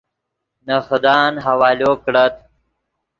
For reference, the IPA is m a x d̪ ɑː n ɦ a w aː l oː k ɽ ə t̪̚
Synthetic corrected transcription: n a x d̪ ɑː n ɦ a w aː l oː k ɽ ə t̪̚